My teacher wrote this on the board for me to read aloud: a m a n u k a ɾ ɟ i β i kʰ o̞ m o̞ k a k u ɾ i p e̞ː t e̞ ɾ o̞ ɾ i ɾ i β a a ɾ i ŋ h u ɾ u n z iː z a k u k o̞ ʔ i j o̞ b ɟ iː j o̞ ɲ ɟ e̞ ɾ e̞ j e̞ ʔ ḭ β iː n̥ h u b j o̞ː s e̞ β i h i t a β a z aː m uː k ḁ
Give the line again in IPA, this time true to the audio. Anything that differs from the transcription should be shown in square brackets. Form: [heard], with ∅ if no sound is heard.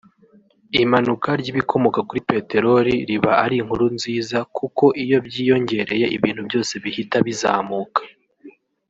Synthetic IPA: [i] m a n u k a ɾ ɟ i β i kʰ o̞ m o̞ k a k u ɾ i p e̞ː t e̞ ɾ o̞ ɾ i ɾ i β a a ɾ i ŋ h u ɾ u n z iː z a k u k o̞ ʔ i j o̞ b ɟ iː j o̞ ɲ ɟ e̞ ɾ e̞ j e̞ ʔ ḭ β iː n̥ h u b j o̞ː s e̞ β i h i t a β [i] z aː m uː k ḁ